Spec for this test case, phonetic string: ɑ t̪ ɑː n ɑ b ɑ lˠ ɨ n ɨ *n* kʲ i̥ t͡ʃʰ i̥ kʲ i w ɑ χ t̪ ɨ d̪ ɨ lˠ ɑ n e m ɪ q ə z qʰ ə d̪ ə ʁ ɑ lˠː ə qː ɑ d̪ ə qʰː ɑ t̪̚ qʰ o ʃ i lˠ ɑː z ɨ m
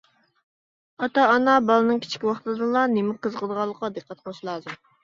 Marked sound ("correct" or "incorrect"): incorrect